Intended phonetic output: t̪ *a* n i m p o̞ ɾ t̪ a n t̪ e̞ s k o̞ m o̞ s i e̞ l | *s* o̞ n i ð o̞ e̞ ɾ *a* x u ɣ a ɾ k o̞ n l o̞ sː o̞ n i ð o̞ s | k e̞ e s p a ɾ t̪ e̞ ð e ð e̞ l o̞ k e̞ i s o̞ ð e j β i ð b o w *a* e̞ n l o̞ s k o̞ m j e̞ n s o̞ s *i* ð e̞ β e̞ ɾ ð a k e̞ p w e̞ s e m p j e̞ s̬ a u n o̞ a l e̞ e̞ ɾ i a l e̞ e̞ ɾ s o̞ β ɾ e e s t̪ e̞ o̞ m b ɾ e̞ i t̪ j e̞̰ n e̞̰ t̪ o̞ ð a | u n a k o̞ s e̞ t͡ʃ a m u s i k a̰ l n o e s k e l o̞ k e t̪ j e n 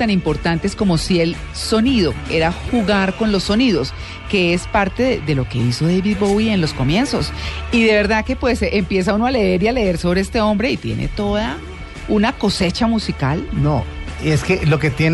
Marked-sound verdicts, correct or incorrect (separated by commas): correct, correct, correct, incorrect, correct